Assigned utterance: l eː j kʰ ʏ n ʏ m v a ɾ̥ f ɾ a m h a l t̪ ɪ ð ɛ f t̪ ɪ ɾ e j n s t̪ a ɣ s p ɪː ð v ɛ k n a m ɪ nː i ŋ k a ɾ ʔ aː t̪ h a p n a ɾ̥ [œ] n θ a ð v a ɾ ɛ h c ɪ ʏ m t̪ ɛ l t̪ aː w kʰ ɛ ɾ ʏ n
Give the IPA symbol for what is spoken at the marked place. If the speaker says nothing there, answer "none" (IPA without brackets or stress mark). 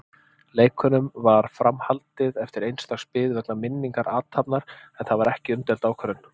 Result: ɛ